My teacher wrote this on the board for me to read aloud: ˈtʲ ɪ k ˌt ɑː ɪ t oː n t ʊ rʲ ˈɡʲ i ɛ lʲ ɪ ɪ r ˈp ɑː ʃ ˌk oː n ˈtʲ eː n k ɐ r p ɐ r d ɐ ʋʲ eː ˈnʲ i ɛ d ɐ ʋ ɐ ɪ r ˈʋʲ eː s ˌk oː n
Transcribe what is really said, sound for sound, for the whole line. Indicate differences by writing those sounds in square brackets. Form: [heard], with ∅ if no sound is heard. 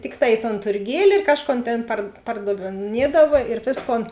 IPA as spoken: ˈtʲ ɪ k ˌt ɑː ɪ t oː n t ʊ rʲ ˈɡʲ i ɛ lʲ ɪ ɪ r [ˈk] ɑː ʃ ˌk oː n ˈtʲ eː n [p] ɐ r p ɐ r d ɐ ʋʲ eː ˈnʲ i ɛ d ɐ ʋ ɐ ɪ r ˈʋʲ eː s ˌk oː n